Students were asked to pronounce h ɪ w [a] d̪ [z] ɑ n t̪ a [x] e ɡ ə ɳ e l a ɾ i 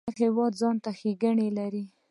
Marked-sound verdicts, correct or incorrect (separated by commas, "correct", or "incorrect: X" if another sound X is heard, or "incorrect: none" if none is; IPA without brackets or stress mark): incorrect: ɑ, correct, correct